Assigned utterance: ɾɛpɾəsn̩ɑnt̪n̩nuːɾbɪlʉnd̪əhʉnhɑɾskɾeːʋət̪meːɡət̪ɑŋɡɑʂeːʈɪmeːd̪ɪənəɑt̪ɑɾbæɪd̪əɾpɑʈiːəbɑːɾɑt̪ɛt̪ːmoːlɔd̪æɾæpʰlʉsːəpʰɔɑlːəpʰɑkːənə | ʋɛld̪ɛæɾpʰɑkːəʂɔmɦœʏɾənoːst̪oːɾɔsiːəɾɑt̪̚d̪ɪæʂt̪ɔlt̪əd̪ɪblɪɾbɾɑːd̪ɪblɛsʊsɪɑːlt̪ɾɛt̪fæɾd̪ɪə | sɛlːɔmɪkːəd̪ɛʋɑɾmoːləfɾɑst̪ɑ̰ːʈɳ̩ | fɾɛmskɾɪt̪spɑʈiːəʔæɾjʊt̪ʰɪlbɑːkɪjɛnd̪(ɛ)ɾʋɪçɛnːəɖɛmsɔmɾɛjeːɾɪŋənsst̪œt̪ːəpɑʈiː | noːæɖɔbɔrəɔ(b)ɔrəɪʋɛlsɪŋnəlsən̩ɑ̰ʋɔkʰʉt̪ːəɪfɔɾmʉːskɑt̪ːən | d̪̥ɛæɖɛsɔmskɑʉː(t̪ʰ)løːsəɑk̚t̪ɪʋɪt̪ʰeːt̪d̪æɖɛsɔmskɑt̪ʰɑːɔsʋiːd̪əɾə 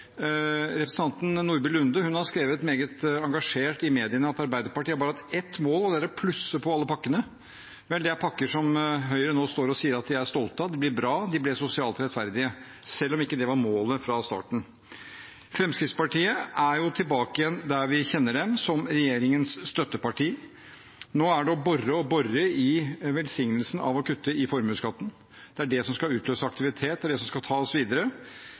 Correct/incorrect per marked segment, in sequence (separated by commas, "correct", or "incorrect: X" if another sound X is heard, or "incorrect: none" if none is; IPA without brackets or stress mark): incorrect: æ, correct, incorrect: t̪